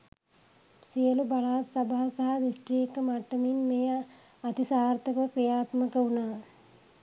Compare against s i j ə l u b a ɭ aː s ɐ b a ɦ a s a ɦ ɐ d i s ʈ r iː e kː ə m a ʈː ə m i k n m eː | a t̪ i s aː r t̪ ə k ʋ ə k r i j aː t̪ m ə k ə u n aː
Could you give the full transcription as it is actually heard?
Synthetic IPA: s i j ə l u b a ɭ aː s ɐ b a ɦ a s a ɦ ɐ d i s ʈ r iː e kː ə m a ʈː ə m i n m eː | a t̪ i s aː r t̪ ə k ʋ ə k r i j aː t̪ m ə k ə u n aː